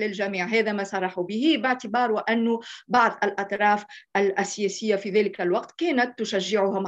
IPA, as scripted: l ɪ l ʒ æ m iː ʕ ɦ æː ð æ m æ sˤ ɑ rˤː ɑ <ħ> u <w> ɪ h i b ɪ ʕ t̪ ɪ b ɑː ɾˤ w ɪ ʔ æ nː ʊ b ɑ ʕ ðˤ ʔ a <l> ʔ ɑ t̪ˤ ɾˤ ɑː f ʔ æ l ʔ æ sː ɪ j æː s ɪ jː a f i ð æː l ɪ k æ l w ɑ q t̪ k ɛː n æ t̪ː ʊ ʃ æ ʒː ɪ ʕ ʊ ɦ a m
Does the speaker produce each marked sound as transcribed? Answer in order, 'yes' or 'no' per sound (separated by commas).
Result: yes, no, yes